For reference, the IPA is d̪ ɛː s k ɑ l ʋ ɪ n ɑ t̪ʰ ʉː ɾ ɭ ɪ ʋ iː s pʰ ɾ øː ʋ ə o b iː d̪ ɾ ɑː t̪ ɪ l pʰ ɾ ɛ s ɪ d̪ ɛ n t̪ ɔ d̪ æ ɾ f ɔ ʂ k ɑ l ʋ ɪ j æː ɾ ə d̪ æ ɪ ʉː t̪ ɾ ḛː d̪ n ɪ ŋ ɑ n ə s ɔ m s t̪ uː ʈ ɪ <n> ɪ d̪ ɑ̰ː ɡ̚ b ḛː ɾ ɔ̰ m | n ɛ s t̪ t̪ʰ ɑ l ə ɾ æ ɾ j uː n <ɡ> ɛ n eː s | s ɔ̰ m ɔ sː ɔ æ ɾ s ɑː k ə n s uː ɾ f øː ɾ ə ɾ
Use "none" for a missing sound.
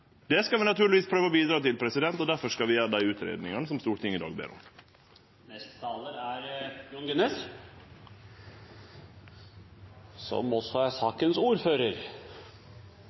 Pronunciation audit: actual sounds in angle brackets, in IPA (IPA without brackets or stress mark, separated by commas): ŋ, ɡ